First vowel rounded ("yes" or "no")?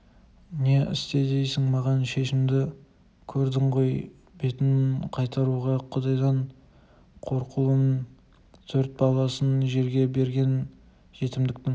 no